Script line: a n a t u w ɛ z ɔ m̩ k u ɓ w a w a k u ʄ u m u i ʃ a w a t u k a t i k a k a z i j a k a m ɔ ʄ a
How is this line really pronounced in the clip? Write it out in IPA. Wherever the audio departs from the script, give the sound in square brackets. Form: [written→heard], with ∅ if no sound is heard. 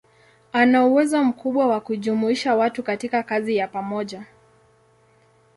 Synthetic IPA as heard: a n a [t→∅] u w ɛ z ɔ m̩ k u ɓ w a w a k u ʄ u m u i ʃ a w a t u k a t i k a k a z i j a [k→p] a m ɔ ʄ a